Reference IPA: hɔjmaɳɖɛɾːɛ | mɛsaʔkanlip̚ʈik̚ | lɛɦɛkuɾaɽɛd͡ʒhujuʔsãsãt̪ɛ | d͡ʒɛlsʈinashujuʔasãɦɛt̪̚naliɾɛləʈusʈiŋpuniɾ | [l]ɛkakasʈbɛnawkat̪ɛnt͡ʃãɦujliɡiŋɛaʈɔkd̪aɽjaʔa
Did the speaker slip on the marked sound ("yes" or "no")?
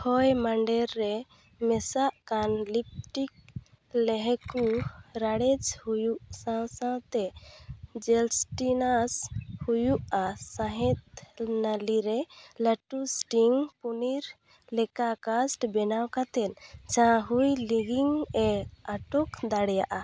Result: no